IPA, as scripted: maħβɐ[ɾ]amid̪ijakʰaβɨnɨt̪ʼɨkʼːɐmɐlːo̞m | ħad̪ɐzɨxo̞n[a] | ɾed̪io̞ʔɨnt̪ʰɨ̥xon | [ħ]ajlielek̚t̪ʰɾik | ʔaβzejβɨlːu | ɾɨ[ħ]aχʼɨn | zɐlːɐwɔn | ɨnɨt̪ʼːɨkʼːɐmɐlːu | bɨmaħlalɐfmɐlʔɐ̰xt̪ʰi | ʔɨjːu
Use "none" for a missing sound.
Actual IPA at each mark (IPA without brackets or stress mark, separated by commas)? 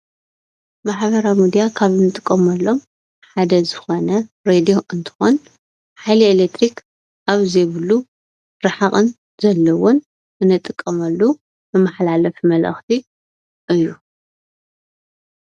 ɾ, ɐ, ħ, ħ